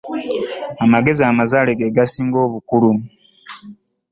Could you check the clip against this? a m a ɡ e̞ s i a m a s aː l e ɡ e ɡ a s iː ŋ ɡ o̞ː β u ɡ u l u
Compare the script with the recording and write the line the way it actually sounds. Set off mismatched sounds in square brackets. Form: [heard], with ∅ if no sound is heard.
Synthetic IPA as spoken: a m a ɡ e̞ [z] i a m a [z] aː l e ɡ e ɡ a s iː ŋ ɡ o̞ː β u [k] u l u